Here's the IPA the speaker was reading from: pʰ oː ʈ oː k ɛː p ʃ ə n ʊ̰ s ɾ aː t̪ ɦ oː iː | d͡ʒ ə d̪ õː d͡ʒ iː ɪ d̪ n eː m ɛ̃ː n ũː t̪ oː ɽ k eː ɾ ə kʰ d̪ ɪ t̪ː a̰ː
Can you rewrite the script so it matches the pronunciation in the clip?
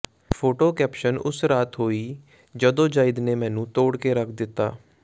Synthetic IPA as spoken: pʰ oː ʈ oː k ɛː p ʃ ə n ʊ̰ s ɾ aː t̪ ɦ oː iː | d͡ʒ ə d̪ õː d͡ʒ aː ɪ d̪ n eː m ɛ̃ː n ũː t̪ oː ɽ k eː ɾ ə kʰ d̪ ɪ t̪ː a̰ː